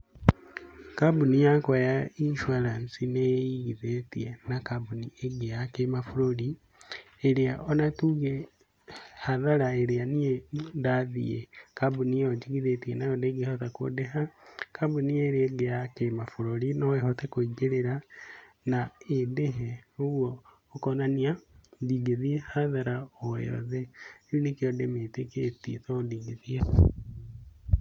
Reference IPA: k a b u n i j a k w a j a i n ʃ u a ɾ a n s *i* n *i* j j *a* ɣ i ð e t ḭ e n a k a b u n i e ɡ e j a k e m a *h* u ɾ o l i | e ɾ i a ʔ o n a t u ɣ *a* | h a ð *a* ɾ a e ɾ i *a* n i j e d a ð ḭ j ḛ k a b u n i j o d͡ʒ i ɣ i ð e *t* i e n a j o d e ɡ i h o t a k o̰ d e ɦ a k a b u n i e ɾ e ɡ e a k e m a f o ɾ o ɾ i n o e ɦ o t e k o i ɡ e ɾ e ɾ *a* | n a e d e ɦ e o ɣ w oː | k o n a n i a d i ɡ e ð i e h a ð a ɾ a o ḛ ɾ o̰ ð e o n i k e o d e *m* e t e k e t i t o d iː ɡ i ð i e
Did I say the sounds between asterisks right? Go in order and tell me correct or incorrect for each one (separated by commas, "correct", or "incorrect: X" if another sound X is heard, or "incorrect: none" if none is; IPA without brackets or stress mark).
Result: correct, incorrect: e, incorrect: i, incorrect: f, incorrect: e, correct, correct, correct, correct, correct